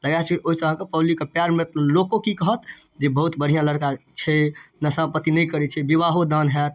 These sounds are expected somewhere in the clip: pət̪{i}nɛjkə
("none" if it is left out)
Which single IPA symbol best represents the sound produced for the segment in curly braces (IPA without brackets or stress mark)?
i